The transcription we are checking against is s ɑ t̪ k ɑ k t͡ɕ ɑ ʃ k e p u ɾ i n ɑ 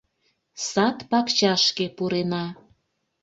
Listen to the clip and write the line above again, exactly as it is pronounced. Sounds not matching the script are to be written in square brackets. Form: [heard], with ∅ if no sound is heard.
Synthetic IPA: s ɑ t̪ [p] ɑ k t͡ɕ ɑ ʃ k e p u ɾ [e] n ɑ